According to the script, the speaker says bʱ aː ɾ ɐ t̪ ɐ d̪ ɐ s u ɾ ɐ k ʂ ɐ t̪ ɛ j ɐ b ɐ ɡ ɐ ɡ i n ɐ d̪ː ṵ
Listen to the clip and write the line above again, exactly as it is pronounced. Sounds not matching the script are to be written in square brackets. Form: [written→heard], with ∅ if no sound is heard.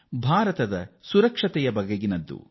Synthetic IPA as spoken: bʱ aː ɾ ɐ t̪ ɐ d̪ ɐ s u ɾ ɐ k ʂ ɐ t̪ ɛ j ɐ b ɐ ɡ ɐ ɡ i n ɐ d̪ː ṵ

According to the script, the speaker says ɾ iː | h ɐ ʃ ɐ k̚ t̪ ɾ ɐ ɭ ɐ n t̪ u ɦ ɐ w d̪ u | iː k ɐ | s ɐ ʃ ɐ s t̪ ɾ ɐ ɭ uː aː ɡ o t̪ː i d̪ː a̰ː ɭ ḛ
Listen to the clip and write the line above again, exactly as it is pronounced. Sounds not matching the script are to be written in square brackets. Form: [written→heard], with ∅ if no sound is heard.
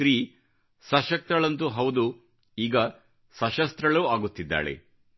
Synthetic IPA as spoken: ɾ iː | [h→s] ɐ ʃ ɐ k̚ t̪ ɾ ɐ ɭ ɐ n t̪ u ɦ ɐ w d̪ u | iː [k→ɡ] ɐ | s ɐ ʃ ɐ s t̪ ɾ ɐ ɭ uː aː ɡ [o→u] t̪ː i d̪ː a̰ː ɭ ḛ

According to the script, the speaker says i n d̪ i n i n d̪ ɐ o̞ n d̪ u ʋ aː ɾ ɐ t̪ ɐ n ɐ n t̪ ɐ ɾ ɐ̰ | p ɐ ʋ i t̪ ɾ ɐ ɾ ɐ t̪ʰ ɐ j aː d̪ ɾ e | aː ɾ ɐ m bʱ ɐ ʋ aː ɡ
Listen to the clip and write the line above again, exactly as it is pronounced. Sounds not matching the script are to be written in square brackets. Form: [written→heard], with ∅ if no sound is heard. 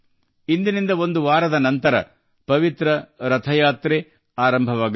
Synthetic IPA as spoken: i n d̪ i n i n d̪ ɐ o̞ n d̪ u ʋ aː ɾ ɐ [t̪→d̪] ɐ n ɐ n t̪ ɐ ɾ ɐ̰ | p ɐ ʋ i t̪ ɾ ɐ ɾ ɐ t̪ʰ ɐ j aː [d̪→t̪] ɾ e | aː ɾ ɐ m bʱ ɐ ʋ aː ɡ

